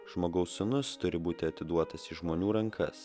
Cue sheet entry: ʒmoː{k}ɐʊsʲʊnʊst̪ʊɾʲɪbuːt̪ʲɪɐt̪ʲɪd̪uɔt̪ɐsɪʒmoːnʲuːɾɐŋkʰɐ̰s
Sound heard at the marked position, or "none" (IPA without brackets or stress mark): ɡ